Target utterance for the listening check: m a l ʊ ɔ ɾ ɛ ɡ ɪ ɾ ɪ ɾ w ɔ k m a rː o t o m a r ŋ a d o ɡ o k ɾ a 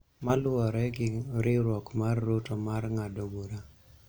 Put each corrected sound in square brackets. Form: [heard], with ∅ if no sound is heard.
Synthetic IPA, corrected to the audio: m a l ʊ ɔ ɾ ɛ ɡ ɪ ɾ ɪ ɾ w ɔ k m a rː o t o m a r ŋ a d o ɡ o [∅] ɾ a